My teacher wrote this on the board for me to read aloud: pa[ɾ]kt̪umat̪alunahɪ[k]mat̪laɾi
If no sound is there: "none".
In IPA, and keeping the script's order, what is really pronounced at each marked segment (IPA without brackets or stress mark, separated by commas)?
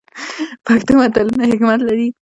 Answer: none, k